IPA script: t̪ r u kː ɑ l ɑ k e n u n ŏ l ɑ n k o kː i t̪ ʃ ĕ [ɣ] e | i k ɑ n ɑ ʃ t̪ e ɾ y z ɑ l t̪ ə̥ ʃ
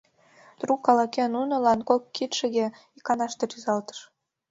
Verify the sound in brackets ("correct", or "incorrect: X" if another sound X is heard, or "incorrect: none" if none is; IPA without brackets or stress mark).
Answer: correct